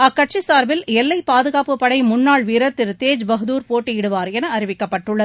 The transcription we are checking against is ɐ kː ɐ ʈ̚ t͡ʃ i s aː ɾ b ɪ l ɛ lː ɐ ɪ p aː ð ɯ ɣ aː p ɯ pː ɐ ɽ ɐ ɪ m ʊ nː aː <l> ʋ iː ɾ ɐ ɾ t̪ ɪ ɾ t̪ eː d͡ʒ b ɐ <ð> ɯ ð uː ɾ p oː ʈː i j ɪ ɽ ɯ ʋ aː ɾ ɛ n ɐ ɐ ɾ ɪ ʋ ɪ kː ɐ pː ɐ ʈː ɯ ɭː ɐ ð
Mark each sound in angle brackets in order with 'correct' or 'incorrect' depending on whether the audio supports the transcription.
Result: incorrect: ɭ, incorrect: ɣ

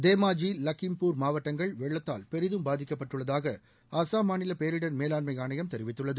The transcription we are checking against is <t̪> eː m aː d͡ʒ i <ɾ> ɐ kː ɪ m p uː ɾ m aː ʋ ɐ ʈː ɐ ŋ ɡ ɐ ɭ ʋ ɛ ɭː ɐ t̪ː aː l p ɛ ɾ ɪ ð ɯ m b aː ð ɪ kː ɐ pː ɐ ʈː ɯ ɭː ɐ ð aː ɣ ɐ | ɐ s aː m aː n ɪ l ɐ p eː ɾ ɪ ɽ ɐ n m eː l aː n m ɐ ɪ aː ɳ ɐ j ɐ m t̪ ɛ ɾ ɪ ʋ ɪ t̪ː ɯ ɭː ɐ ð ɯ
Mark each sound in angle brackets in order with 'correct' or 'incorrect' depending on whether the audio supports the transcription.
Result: incorrect: d̪, incorrect: l

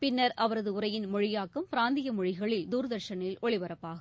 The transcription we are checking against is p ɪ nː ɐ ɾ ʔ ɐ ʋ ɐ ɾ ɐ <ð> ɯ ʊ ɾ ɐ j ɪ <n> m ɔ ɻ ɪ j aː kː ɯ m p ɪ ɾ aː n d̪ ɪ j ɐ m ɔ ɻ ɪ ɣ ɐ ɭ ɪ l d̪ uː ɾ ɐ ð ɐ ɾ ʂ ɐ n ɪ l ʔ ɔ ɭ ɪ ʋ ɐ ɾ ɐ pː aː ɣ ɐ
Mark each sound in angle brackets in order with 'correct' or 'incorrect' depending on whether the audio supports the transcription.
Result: correct, correct

